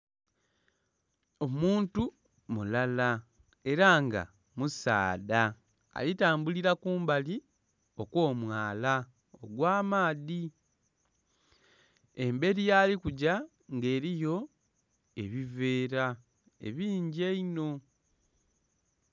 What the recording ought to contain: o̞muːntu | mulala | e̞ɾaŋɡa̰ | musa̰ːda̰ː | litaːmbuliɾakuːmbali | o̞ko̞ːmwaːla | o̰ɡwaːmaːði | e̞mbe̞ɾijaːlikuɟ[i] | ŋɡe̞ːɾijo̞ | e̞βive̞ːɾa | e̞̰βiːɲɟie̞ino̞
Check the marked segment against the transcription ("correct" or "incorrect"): incorrect